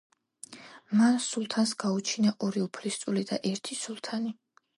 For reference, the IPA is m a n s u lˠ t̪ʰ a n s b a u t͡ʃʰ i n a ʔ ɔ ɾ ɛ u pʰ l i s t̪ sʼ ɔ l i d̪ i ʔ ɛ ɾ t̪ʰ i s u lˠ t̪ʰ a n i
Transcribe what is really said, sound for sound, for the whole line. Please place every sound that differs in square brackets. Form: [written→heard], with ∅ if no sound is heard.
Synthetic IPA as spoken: m a n s u lˠ t̪ʰ a n s [b→ɡ] a u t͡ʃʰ i n a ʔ ɔ ɾ [ɛ→i] u pʰ l i s t̪ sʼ [ɔ→u] l i d̪ [i→a] ʔ ɛ ɾ t̪ʰ i s u lˠ t̪ʰ a n i